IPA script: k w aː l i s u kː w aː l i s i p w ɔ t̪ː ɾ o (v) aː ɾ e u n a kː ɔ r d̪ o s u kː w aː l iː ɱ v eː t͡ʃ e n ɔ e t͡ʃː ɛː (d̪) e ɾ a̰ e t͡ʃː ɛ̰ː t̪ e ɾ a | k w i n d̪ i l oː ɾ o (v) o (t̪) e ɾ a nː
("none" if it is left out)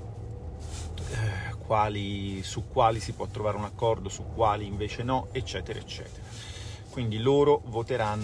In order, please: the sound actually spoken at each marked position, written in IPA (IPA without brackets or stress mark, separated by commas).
v, t̪, v, t̪